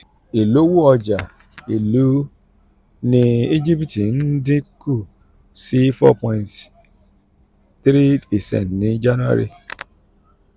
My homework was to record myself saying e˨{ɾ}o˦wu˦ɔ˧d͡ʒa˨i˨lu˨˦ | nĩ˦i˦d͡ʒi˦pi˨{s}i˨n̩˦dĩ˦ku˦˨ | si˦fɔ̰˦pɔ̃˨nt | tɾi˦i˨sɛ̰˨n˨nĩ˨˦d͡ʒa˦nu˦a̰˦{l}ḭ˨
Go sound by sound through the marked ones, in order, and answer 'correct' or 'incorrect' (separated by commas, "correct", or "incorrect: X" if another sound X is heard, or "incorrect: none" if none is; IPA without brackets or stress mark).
incorrect: l, incorrect: t, incorrect: ɾ